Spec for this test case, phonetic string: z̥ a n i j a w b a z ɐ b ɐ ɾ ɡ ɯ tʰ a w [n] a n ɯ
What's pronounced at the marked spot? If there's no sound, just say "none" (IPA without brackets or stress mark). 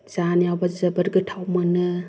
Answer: m